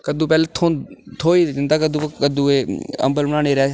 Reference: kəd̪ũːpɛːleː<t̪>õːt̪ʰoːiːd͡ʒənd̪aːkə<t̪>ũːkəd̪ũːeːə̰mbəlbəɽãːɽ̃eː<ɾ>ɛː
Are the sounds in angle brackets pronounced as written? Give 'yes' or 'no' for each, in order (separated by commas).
no, no, yes